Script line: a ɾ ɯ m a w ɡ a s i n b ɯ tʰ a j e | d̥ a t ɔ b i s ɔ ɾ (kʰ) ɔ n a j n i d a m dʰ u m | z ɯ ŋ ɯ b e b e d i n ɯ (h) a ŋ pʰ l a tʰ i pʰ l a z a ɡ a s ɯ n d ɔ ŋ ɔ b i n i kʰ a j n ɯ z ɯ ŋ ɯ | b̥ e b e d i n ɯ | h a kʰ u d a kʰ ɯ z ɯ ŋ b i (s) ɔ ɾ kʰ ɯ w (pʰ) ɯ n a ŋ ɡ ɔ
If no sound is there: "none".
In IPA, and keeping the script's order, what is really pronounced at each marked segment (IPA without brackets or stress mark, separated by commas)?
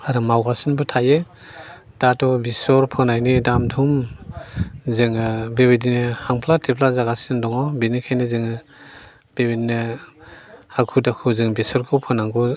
pʰ, h, s, pʰ